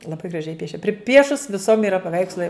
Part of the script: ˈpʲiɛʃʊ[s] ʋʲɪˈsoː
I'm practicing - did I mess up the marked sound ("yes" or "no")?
no